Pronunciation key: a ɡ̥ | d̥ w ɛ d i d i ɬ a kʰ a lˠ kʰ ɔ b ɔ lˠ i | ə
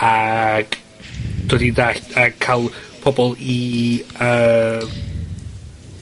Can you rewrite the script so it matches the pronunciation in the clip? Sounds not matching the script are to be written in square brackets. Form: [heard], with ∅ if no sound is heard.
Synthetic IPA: a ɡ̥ | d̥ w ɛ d i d [a] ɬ a kʰ a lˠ [pʰ] ɔ b ɔ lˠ i | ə